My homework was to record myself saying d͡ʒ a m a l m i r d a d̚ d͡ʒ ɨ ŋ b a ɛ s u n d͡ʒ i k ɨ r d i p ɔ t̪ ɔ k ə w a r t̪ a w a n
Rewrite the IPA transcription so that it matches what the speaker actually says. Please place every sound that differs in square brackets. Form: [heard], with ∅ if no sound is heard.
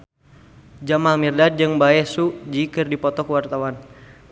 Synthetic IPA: d͡ʒ a m a l m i r d a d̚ d͡ʒ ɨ ŋ b a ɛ s u [∅] d͡ʒ i k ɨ r d i p ɔ t̪ ɔ k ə w a r t̪ a w a n